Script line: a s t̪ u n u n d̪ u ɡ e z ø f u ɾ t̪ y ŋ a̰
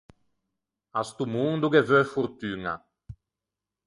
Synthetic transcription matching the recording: a s t̪ u m u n d̪ u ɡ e v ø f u ɾ t̪ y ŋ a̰